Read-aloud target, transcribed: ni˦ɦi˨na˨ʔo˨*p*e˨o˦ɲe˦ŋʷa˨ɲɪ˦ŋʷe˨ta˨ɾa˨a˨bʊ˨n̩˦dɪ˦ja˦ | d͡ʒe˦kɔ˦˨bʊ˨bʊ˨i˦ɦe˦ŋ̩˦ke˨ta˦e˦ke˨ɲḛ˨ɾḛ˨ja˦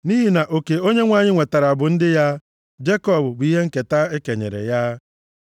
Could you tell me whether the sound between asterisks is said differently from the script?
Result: yes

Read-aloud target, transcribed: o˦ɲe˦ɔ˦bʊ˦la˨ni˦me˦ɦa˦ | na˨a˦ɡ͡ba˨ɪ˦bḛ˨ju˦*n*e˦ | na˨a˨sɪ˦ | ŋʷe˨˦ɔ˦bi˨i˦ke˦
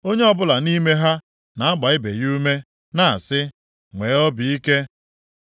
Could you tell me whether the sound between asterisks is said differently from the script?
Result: yes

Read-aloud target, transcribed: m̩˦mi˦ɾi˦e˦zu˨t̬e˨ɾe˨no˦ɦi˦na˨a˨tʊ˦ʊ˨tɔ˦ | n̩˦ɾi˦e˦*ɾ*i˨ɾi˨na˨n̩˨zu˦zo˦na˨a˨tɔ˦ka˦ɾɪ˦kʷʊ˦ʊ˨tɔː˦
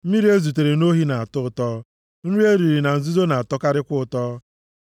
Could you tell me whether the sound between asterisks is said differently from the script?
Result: no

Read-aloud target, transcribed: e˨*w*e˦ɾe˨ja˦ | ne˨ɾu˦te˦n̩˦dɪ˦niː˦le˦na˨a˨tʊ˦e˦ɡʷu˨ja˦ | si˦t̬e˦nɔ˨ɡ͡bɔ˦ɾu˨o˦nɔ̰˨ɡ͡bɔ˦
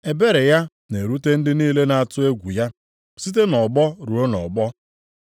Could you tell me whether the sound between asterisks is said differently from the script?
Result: yes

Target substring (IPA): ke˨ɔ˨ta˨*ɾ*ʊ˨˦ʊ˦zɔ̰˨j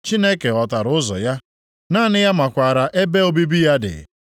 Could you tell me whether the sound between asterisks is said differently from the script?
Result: no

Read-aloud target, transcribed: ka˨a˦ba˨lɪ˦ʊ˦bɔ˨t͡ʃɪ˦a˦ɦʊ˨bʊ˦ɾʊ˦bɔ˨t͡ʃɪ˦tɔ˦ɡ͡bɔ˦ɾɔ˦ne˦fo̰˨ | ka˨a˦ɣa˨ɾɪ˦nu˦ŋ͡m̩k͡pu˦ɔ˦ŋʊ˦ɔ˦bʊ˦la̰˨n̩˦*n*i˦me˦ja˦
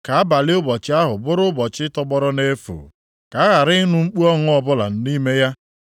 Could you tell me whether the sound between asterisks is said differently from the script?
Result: no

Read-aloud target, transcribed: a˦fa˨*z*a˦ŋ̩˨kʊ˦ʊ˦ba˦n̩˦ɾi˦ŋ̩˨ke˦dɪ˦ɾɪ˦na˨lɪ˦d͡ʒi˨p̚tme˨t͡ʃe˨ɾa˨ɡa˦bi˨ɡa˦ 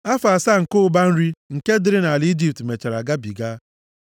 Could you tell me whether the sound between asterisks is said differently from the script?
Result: yes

